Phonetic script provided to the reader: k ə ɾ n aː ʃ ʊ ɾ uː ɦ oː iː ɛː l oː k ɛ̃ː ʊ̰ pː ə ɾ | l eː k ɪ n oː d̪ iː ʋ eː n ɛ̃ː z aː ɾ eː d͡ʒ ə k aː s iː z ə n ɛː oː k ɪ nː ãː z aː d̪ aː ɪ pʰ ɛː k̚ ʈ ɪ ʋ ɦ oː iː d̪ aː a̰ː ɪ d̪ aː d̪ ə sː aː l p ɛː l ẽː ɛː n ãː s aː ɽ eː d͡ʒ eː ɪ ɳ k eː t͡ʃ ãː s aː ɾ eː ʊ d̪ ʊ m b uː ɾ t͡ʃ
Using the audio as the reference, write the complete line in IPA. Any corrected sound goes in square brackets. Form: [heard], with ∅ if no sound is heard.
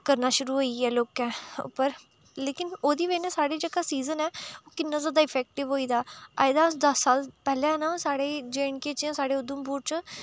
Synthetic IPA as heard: k ə ɾ n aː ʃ ʊ ɾ uː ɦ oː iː ɛː l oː k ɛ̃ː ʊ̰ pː ə ɾ | l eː k ɪ n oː d̪ iː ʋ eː n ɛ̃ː [s] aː [ɽ] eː d͡ʒ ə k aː s iː z ə n ɛː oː k ɪ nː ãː z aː d̪ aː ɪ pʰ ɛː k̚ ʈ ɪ ʋ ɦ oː iː d̪ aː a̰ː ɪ d̪ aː d̪ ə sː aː l p ɛː l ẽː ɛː n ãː s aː ɽ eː d͡ʒ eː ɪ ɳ k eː t͡ʃ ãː s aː [ɽ] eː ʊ d̪ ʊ m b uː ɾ t͡ʃ